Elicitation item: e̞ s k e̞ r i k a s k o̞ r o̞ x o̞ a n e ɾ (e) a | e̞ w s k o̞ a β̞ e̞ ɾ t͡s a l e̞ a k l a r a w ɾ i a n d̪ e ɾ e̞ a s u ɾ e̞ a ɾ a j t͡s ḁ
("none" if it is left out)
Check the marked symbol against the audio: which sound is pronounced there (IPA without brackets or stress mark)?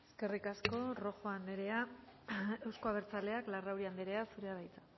e